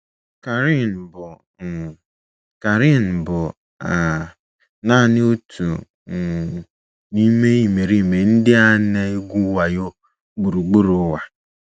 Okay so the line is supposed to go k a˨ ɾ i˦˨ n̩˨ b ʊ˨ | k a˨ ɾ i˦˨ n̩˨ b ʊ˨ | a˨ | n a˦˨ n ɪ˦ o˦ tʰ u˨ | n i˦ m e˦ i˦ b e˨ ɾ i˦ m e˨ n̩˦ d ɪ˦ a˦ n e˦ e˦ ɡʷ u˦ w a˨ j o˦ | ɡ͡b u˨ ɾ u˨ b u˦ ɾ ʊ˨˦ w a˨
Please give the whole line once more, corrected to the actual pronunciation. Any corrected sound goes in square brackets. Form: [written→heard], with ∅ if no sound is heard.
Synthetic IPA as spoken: k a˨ ɾ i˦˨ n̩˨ b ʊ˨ | k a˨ ɾ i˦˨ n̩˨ b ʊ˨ | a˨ | n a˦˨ n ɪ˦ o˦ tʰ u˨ | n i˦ m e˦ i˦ [b→m] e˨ ɾ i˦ m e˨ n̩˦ d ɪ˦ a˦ n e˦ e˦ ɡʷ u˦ w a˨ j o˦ | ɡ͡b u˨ ɾ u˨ [b→ɡ͡b] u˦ ɾ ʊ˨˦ w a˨